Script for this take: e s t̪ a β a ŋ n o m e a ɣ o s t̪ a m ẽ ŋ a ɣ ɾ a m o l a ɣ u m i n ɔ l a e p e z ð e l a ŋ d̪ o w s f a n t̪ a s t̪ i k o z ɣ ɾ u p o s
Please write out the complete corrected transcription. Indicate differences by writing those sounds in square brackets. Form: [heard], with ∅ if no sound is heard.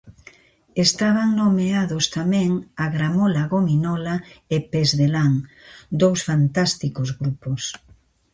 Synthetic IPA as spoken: e s t̪ a β a ŋ n o m e a [ð] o s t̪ a m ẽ ŋ a ɣ ɾ a m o l a ɣ [o] m i n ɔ l a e p e z ð e l a ŋ d̪ o w s f a n t̪ a s t̪ i k o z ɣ ɾ u p o s